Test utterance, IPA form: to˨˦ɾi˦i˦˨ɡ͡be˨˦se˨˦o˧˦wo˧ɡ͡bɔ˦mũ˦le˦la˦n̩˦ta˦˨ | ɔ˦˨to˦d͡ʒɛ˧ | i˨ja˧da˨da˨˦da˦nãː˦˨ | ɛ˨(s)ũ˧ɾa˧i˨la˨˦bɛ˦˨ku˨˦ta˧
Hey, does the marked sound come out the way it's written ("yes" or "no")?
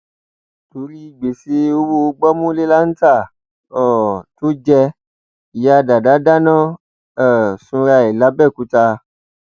yes